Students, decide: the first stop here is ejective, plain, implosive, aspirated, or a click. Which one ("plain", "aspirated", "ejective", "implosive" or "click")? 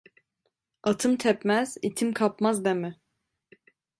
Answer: aspirated